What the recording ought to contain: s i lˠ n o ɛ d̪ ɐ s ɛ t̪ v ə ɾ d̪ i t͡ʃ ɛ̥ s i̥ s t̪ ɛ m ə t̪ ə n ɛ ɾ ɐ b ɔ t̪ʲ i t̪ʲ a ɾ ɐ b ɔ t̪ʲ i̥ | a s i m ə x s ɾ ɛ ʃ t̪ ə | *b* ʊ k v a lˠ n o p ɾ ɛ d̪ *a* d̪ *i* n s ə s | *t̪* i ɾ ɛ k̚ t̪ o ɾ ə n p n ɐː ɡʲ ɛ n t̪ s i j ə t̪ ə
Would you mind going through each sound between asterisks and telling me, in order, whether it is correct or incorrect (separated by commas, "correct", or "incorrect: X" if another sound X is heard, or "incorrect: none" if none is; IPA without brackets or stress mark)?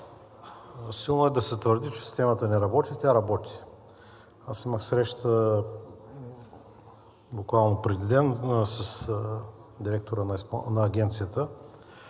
correct, incorrect: i, incorrect: ɛ, incorrect: d̪